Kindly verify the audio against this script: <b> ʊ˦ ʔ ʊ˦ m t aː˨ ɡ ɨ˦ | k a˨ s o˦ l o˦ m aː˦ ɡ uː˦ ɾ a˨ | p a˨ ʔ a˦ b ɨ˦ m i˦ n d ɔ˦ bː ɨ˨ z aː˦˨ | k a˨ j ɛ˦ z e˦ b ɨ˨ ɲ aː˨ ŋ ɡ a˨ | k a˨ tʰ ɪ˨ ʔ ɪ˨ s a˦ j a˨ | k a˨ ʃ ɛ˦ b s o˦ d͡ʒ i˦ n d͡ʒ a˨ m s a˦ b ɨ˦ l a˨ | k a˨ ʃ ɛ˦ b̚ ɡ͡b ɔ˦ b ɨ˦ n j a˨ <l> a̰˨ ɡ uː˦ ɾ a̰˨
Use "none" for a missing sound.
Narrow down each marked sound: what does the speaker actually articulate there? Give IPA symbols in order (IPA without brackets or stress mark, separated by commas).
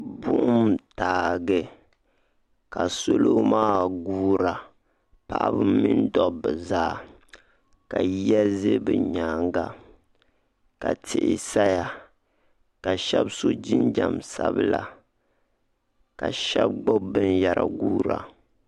b, ɾ